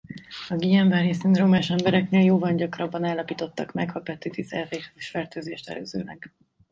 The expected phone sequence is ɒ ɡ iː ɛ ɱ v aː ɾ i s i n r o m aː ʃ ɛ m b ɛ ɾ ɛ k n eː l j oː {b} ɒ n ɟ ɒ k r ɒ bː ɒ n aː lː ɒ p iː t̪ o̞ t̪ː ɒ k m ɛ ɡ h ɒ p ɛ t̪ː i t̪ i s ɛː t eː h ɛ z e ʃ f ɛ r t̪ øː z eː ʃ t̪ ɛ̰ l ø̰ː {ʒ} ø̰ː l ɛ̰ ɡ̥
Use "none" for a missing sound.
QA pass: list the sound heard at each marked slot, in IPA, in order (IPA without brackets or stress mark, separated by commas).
v, z